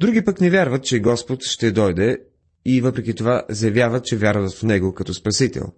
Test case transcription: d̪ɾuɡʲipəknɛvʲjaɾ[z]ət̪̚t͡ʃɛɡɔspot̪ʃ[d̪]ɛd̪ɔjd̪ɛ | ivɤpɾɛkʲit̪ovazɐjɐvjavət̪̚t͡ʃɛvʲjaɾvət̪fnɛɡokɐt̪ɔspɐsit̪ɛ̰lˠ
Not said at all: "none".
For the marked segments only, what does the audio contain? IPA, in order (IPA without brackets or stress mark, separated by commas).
v, t̪